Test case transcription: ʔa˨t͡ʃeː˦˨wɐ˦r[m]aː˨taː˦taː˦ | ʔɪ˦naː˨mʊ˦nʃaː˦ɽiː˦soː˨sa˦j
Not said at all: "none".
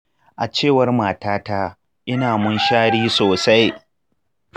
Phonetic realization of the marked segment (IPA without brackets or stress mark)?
m